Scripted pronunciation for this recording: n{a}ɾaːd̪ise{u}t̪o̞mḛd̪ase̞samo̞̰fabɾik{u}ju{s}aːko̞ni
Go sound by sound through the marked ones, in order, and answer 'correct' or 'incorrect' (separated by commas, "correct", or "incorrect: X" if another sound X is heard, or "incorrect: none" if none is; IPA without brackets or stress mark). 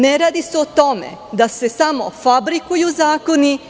incorrect: e, incorrect: o, correct, incorrect: z